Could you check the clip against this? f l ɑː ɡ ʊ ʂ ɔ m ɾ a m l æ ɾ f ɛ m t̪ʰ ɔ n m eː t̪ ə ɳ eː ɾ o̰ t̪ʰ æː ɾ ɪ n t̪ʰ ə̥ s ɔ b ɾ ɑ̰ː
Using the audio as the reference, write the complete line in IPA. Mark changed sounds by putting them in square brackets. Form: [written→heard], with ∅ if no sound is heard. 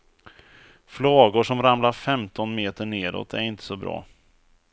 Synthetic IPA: f l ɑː ɡ ʊ ʂ ɔ m ɾ a m l [æ→a] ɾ f ɛ m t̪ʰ ɔ n m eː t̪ ə ɳ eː ɾ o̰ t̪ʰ [æː→æ] ɾ ɪ n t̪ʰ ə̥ s ɔ b ɾ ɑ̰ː